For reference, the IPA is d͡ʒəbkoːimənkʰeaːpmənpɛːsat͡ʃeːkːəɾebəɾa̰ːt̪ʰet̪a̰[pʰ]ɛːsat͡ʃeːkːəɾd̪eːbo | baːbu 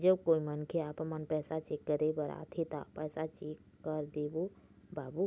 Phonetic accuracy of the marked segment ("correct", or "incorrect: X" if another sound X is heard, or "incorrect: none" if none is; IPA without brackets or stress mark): incorrect: p